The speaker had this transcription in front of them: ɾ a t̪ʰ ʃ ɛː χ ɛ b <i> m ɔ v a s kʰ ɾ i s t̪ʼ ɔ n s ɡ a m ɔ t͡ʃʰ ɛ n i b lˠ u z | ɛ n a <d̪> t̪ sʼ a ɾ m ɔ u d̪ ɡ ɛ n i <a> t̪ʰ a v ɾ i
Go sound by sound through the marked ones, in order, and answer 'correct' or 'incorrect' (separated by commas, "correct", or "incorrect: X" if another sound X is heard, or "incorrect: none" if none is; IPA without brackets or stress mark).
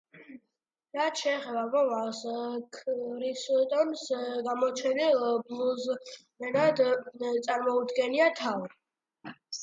incorrect: a, correct, correct